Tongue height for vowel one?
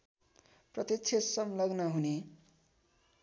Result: mid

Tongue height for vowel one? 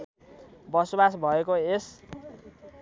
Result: mid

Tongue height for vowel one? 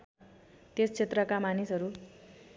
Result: mid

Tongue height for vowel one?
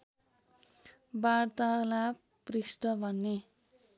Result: low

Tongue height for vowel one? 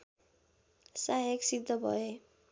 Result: low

